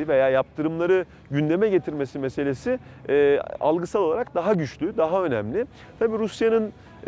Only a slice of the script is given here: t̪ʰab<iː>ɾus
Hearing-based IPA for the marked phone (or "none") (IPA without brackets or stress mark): iː